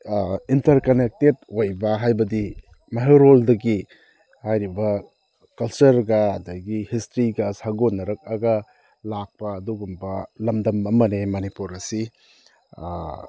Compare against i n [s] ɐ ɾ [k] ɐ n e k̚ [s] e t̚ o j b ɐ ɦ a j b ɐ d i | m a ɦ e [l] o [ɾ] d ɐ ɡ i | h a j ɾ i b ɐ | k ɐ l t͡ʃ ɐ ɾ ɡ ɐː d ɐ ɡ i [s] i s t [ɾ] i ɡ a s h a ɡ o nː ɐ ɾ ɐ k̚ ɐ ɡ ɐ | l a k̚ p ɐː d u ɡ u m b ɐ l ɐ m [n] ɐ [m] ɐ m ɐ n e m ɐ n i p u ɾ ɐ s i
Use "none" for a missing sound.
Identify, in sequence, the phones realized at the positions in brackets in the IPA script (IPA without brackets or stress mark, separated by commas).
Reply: t, k, t, ɾ, l, h, ɾ, d, m